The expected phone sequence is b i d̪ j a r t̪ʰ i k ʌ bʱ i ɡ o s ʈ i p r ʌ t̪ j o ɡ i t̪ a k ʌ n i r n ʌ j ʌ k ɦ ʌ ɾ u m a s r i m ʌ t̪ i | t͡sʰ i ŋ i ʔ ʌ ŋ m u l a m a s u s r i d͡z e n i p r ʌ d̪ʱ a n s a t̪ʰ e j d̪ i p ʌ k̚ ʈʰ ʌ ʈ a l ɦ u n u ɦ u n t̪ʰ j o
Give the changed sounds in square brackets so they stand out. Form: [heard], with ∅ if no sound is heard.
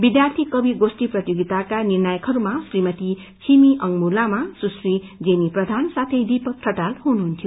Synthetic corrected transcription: b i d̪ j a r t̪ʰ i k ʌ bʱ i ɡ o s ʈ i p r ʌ t̪ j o ɡ i t̪ a k [a] n i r n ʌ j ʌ k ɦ ʌ ɾ u m a s r i m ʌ t̪ i | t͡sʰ i [m] i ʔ ʌ ŋ m u l a m a s u s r i d͡z e n i p r ʌ d̪ʱ a n s a t̪ʰ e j d̪ i p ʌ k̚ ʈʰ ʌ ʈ a l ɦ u n u ɦ u n t̪ʰ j o